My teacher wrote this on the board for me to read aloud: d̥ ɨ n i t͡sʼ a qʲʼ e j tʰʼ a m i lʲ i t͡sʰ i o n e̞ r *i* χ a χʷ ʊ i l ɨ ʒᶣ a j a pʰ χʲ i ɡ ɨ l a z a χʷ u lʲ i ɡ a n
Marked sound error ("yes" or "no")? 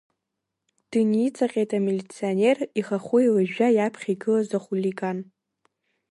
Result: no